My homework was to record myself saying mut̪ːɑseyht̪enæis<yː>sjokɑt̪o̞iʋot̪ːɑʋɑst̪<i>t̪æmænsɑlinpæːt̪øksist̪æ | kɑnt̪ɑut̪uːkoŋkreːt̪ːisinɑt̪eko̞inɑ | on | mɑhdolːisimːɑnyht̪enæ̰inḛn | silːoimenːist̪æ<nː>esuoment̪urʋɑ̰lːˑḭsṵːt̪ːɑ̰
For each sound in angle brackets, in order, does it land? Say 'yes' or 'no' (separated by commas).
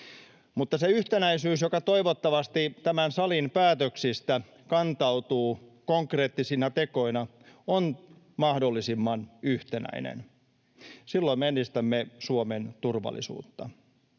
yes, yes, no